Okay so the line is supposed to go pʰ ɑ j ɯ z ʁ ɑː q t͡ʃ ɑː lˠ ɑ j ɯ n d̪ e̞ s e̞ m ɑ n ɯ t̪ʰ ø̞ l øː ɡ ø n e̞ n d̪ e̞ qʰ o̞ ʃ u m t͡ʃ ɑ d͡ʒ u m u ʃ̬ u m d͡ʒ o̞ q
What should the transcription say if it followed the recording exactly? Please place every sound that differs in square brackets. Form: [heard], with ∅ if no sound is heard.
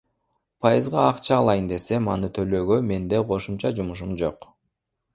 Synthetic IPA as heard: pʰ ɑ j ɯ z ʁ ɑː q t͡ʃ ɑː lˠ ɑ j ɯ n d̪ e̞ s e̞ m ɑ n ɯ t̪ʰ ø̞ l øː ɡ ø [m] e̞ n d̪ e̞ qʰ o̞ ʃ u m t͡ʃ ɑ d͡ʒ u m u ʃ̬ u m d͡ʒ o̞ q